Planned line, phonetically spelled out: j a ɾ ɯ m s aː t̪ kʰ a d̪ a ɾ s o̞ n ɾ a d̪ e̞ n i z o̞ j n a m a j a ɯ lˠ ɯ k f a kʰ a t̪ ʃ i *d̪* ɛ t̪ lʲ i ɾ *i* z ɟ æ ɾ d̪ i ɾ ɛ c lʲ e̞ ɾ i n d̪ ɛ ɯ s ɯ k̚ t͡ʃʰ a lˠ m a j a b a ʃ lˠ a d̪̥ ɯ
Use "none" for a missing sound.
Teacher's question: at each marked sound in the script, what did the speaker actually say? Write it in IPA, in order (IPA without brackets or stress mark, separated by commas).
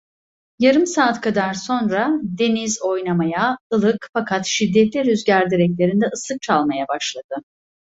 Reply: d̪ː, y